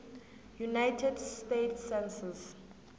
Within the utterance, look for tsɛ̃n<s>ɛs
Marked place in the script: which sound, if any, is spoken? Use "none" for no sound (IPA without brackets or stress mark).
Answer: s